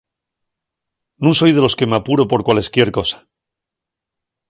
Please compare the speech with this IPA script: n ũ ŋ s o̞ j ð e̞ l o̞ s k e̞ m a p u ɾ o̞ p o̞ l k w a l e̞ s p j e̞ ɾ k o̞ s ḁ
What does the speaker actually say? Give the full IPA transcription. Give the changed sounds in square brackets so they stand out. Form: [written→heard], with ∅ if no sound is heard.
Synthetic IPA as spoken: n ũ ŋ s o̞ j ð e̞ l o̞ s k e̞ m a p u ɾ o̞ p o̞ [l→ɾ] k w a l e̞ s [p→k] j e̞ ɾ k o̞ s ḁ